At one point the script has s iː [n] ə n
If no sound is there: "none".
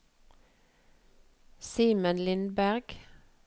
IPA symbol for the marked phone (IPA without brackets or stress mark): m